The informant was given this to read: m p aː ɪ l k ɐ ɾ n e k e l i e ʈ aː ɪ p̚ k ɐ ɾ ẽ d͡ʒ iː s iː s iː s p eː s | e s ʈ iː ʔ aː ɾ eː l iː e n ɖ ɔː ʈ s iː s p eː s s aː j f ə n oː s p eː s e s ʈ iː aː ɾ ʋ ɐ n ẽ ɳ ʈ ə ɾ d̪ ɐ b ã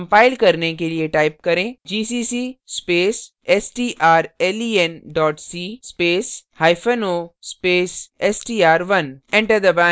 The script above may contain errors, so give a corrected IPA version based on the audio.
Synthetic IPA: m p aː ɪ l k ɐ ɾ n e k e l i e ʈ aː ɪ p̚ k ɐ ɾ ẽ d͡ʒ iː s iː s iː s p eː s | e s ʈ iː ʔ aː ɾ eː l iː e n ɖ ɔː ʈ s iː s p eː s h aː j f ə n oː s p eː s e s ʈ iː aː ɾ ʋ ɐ n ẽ ɳ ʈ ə ɾ d̪ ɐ b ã